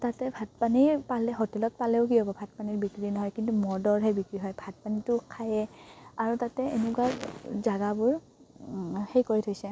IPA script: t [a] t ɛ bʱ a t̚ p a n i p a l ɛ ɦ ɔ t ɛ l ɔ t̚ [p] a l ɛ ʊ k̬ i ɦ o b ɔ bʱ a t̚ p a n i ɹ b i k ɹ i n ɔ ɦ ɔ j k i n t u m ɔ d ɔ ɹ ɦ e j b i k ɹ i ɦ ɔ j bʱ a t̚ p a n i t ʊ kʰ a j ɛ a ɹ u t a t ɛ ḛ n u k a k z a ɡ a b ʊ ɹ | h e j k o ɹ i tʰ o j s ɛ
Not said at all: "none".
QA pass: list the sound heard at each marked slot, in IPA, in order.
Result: a, p

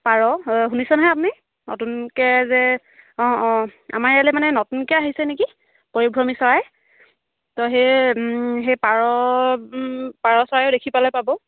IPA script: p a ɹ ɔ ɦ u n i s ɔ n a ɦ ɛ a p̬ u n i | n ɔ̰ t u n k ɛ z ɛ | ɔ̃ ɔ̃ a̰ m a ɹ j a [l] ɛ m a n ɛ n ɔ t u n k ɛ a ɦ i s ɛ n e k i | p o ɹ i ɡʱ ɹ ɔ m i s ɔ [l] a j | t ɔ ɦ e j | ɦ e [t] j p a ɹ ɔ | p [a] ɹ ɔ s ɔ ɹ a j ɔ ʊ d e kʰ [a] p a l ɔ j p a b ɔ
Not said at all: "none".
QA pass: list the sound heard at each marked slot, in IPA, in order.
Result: l, ɹ, none, a, i

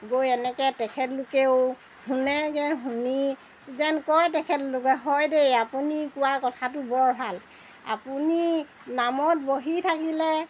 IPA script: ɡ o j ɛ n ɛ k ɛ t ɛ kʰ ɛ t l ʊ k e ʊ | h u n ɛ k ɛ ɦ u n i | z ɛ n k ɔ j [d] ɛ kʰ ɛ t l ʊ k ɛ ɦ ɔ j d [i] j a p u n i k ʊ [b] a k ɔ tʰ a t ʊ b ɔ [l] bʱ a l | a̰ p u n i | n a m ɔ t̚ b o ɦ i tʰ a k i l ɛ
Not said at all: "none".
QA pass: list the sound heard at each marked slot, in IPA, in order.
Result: t, e, w, ɹ

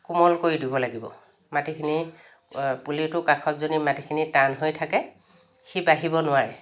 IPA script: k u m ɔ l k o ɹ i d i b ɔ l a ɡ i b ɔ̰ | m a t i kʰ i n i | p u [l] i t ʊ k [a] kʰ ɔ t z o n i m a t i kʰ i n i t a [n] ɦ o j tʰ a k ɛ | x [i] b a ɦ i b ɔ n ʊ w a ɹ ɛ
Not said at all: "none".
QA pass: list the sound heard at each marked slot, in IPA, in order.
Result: l, a, n, i

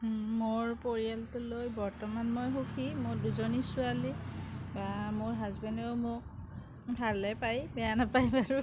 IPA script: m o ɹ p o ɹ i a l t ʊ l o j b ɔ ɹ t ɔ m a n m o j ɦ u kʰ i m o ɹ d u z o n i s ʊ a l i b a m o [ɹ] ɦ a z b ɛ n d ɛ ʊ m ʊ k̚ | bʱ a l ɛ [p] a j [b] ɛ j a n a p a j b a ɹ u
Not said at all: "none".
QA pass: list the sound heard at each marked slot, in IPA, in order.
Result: ɹ, p, b

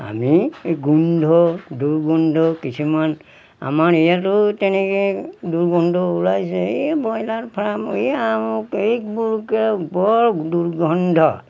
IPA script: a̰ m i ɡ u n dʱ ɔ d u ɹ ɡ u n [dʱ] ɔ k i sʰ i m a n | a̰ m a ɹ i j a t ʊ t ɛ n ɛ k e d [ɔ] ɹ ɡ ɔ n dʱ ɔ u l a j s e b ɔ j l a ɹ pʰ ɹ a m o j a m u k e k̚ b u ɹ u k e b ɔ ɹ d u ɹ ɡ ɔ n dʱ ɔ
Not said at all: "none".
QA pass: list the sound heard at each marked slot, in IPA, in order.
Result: dʱ, u

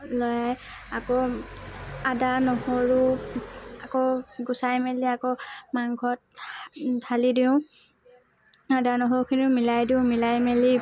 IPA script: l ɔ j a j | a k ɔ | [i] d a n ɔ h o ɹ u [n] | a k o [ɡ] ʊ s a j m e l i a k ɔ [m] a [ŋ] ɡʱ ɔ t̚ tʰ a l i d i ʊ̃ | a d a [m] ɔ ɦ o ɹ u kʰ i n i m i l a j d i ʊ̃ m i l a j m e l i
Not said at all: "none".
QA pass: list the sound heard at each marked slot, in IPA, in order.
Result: a, none, ɡ, m, ŋ, n

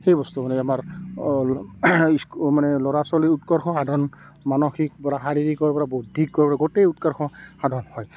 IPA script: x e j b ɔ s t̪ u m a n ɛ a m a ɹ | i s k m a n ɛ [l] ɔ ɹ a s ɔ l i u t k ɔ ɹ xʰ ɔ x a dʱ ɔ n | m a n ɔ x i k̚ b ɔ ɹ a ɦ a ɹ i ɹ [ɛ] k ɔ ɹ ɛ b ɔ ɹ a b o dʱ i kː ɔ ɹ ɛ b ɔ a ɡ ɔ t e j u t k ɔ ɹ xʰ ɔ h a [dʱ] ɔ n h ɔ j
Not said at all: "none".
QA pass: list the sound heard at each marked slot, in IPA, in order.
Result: l, i, dʱ

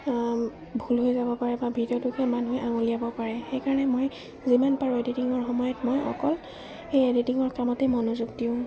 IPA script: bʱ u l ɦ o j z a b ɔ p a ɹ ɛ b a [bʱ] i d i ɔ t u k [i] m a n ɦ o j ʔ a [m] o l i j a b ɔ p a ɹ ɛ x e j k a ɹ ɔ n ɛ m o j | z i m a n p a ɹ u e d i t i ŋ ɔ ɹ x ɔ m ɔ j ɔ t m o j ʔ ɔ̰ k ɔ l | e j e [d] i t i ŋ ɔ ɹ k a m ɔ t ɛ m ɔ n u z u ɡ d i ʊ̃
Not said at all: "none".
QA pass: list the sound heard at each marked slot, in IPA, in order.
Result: bʱ, ɛ, ŋ, d

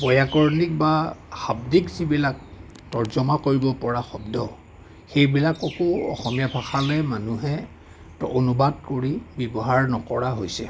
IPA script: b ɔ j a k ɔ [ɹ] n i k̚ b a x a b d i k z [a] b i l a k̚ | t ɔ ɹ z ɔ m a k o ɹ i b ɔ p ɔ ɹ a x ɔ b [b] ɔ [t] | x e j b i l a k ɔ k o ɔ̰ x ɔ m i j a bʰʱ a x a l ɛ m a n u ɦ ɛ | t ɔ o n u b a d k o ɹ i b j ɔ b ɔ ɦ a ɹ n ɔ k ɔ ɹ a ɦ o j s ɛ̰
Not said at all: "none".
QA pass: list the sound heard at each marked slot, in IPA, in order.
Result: ɹ, i, d, none

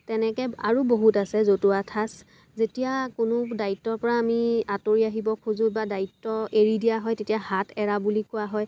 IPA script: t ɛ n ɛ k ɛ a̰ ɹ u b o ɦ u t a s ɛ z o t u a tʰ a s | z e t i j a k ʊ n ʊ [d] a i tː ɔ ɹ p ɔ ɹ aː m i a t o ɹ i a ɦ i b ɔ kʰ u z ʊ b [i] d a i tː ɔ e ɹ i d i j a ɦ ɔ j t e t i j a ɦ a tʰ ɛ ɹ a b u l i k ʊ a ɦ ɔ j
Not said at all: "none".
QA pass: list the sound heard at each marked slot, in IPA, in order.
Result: d, a

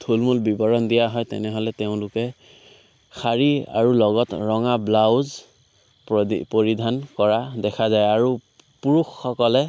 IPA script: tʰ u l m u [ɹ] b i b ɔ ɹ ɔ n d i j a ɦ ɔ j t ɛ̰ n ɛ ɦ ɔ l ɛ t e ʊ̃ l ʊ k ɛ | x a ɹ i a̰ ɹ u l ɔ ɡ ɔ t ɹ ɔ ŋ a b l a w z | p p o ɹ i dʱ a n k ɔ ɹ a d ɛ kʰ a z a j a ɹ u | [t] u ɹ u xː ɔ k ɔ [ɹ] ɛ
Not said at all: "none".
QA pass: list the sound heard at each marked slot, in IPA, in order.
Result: l, p, l

